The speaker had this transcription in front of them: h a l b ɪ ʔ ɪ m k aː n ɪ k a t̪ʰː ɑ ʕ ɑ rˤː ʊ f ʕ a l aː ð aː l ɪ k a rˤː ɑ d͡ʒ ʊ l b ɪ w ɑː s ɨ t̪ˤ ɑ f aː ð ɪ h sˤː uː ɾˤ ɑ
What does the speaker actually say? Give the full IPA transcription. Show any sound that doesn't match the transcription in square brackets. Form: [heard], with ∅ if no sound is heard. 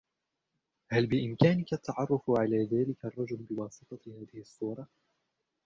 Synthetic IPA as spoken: h a l b ɪ ʔ ɪ m k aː n ɪ k a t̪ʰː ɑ ʕ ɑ rˤː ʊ f ʕ a l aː ð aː l ɪ k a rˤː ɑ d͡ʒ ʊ l b ɪ w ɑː s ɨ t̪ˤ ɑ [h] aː ð ɪ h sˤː uː ɾˤ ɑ